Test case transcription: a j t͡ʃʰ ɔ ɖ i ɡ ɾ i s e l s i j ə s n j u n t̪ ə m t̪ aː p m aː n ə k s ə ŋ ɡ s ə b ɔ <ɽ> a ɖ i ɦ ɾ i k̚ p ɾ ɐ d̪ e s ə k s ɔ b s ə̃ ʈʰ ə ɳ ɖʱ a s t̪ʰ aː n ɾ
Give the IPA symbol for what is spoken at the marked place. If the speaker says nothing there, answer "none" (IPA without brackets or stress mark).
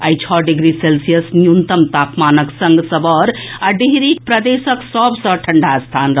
ɾ